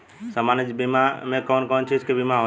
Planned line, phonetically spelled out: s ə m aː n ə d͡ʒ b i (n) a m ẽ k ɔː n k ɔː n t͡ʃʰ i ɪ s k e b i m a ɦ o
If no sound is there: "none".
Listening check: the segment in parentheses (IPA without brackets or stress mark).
m